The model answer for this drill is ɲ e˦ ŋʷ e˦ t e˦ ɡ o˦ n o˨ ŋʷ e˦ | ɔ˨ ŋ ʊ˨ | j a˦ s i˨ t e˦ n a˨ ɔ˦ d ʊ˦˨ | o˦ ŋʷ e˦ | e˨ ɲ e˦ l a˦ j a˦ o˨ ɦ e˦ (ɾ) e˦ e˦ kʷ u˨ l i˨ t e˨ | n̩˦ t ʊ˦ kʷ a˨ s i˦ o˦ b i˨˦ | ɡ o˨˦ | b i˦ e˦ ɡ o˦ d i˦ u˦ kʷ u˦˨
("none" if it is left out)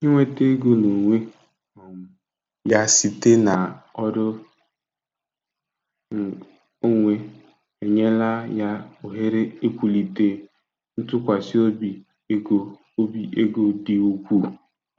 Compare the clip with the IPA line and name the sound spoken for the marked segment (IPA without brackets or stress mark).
ɾ